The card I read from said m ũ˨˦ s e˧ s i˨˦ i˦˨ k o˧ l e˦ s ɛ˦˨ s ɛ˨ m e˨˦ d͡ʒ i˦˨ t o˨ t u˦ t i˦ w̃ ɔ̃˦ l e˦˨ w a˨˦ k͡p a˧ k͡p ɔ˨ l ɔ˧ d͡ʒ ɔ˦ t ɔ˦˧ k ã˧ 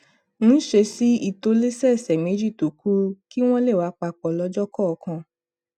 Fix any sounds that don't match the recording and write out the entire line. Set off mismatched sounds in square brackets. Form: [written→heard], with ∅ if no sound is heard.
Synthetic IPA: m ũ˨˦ [s→ʃ] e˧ s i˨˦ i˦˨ [k→t] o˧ l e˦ s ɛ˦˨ s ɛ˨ m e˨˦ d͡ʒ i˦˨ t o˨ [t→k] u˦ [t→k] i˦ w̃ ɔ̃˦ l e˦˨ w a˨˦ k͡p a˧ k͡p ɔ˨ l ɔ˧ d͡ʒ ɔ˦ [t→k] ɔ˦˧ k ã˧